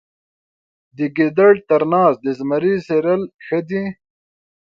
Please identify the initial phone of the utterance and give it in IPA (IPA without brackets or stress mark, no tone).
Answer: d̪